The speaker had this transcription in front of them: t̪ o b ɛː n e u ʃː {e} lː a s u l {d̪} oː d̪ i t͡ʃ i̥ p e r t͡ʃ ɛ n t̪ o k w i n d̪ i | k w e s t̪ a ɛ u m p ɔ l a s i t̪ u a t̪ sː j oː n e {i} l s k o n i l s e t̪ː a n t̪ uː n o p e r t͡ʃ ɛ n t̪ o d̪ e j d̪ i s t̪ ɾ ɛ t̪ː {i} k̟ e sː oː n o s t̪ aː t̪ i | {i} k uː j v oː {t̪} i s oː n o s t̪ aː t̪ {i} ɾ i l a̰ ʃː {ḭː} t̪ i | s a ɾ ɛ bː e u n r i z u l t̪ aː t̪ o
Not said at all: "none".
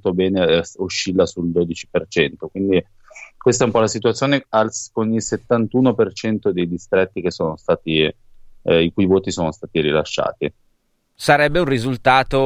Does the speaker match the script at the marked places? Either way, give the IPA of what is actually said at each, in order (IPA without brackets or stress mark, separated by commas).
i, d̪, a, i, i, t̪, i, a̰ː